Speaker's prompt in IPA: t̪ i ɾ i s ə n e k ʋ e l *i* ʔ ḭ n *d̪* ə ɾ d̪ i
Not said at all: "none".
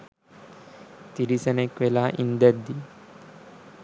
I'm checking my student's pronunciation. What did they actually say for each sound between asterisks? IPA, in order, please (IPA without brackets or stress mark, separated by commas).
a, d̪